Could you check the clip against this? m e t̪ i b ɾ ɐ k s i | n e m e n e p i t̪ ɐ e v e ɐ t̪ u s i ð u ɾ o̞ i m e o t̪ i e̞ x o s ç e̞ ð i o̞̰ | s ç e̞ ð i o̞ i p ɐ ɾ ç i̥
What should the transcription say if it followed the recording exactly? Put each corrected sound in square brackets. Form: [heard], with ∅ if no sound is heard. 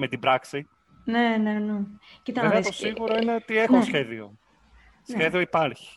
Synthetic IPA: m e t̪ i b ɾ ɐ k s i | n e [n] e n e [c] i t̪ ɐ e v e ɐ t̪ [o] s i [ɣ] u ɾ o̞ i [n] e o t̪ i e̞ x o s ç e̞ ð i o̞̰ | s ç e̞ ð i o̞ i p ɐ ɾ ç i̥